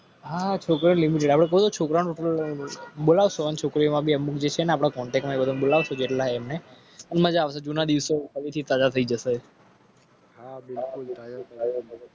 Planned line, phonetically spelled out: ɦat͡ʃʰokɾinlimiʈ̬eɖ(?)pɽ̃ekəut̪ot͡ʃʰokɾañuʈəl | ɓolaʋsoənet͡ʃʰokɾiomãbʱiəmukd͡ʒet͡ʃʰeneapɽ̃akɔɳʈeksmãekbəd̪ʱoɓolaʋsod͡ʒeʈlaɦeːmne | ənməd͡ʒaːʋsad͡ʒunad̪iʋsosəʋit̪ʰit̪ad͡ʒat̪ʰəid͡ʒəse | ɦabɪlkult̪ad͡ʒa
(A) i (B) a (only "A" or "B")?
B